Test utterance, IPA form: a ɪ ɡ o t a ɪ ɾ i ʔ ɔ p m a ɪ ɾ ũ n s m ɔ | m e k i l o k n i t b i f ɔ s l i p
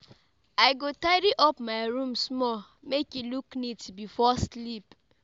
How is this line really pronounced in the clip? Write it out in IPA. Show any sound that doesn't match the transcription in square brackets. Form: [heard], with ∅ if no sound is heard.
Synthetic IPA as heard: a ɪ ɡ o t a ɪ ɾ i ʔ ɔ p m a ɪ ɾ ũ [m] s m ɔ | m e k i l [u] k n i t b i f ɔ s l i p